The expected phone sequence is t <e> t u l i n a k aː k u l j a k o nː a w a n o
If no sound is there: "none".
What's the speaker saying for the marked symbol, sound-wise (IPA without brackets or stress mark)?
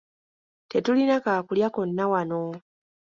e